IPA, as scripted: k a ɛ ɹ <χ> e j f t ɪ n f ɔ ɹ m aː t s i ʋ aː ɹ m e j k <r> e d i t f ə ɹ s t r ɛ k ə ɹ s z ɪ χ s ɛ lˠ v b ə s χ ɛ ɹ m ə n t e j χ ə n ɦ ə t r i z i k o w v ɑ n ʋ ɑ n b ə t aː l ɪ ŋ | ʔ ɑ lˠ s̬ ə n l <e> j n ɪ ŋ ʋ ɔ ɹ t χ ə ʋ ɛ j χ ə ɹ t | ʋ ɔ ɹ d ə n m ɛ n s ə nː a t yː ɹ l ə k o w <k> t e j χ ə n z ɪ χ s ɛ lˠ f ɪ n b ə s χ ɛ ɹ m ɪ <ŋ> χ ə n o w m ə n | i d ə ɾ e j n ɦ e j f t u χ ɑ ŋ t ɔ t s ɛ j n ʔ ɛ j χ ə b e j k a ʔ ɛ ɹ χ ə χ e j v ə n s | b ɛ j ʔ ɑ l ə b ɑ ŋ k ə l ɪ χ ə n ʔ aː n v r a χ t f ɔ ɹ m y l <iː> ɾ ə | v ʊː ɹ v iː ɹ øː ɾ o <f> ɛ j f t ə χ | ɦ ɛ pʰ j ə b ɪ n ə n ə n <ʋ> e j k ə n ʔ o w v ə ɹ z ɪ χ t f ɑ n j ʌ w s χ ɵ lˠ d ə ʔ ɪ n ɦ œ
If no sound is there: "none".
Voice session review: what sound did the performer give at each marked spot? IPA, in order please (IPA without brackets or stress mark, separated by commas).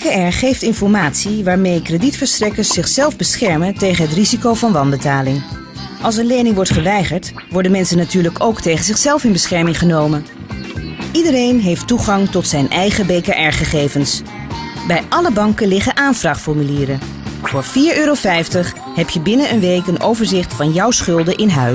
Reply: χ, r, e, k, ŋ, iː, f, ʋ